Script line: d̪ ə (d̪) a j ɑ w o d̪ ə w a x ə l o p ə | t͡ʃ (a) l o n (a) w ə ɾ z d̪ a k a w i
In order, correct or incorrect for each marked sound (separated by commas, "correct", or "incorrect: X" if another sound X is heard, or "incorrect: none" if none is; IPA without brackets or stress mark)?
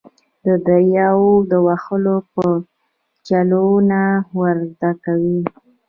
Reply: correct, correct, correct